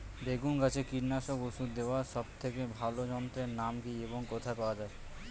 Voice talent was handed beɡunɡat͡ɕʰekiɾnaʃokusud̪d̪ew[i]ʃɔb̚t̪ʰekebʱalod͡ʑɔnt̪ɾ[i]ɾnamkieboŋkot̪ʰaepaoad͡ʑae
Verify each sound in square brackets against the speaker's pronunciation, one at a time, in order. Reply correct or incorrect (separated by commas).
incorrect, incorrect